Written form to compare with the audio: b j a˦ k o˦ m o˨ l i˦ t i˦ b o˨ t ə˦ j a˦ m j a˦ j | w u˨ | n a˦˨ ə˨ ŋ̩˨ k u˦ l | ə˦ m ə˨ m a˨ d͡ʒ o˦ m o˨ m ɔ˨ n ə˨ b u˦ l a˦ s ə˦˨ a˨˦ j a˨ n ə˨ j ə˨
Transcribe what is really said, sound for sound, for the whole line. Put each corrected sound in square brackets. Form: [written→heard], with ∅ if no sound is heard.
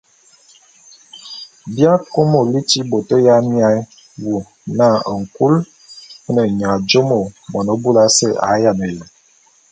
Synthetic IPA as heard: b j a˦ k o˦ m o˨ l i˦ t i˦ b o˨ t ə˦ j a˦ m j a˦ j | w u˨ | n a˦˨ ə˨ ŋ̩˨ k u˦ l | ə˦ [m→n] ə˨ [m→ɲ] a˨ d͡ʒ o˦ m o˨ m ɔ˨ n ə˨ b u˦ l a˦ s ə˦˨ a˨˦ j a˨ n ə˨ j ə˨